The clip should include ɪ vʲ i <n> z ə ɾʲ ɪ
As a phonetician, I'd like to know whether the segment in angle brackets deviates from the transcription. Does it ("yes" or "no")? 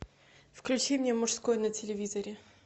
yes